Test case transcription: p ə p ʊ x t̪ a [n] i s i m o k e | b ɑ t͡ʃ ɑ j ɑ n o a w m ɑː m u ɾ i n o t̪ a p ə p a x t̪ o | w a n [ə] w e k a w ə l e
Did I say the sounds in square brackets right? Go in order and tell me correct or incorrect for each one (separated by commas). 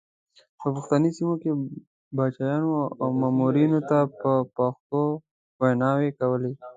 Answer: correct, incorrect